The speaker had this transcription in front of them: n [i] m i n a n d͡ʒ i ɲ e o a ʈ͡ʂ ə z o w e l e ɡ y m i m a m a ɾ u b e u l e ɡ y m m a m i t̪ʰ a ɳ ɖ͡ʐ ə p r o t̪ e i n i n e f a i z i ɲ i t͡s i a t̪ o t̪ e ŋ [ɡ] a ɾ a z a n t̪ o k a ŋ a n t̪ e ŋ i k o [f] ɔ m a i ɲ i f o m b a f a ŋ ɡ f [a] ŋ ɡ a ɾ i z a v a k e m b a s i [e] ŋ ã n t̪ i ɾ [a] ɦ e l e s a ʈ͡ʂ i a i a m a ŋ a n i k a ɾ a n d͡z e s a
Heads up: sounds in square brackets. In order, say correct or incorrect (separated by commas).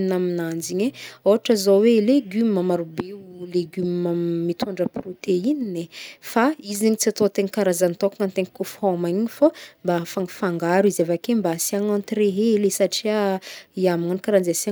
incorrect, incorrect, correct, correct, incorrect, incorrect